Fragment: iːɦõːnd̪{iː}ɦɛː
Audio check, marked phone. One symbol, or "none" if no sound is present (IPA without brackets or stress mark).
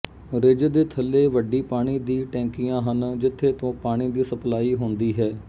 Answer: iː